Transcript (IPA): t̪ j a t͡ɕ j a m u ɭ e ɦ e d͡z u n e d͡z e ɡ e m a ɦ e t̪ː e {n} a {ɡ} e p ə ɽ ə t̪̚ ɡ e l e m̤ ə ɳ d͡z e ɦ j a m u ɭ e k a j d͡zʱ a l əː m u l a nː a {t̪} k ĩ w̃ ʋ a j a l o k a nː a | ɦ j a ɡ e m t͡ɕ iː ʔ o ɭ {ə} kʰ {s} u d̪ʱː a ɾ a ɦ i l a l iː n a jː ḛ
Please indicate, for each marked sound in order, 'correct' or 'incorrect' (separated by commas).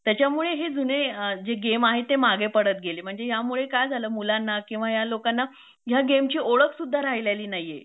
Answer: incorrect, correct, incorrect, correct, correct